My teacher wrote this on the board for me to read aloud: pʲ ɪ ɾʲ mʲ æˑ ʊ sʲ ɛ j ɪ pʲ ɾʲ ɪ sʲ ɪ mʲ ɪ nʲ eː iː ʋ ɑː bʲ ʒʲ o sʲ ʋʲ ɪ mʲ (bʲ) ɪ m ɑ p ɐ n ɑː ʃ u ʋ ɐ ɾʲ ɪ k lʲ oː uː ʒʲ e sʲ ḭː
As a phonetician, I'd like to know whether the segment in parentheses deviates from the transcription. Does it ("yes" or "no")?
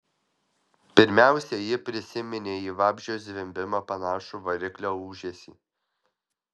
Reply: no